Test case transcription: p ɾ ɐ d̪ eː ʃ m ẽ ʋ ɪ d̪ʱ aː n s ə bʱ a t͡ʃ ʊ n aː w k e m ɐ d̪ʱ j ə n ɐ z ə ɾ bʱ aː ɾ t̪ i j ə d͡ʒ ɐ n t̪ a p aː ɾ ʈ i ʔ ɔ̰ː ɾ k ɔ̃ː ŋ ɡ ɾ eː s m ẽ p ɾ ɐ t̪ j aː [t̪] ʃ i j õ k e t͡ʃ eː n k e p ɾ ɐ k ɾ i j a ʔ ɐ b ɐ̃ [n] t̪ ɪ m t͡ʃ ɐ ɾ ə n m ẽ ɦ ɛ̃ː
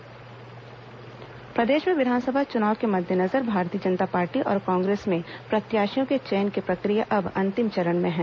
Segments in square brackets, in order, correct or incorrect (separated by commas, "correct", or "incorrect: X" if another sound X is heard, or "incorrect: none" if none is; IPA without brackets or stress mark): incorrect: none, correct